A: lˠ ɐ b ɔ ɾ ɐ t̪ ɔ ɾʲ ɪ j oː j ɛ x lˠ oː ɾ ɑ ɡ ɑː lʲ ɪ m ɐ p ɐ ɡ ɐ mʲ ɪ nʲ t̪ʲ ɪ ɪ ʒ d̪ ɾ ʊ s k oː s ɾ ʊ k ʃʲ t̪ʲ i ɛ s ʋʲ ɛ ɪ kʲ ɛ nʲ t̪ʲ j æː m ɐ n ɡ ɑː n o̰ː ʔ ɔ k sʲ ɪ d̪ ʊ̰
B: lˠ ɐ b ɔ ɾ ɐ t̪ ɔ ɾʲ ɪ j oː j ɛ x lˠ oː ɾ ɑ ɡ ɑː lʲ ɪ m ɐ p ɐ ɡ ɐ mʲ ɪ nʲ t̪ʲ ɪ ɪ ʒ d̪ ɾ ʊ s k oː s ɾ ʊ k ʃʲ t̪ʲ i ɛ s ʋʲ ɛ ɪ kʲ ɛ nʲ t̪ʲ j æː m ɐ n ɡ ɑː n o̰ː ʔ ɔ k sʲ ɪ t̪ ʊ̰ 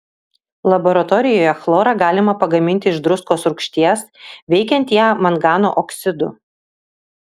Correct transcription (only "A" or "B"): A